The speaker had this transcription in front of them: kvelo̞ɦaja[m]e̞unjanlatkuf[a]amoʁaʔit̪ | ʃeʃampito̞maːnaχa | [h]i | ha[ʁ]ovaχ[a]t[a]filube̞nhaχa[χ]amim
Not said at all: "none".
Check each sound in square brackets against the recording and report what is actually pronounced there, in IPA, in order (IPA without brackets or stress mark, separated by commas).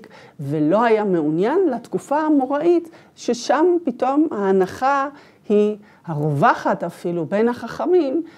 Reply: m, a, h, ʁ, a, a, χ